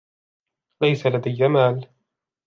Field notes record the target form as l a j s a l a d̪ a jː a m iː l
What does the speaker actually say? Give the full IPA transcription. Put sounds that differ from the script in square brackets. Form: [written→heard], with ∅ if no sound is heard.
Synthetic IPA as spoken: l a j s a l a d̪ a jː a m [iː→aː] l